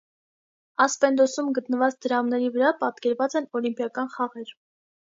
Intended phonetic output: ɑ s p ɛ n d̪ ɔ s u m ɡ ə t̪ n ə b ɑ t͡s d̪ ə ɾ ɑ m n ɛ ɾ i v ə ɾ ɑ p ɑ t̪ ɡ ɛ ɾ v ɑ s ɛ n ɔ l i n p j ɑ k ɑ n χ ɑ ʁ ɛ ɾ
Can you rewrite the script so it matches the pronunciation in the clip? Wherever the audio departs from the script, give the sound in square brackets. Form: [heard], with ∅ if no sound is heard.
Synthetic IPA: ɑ s p ɛ n d̪ ɔ s u m ɡ ə t̪ n ə [v] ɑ t͡s d̪ ə ɾ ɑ m n ɛ ɾ i v ə ɾ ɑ p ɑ t̪ [k] ɛ ɾ v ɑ [t͡s] ɛ n ɔ l i [m] p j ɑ k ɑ n χ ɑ ʁ ɛ ɾ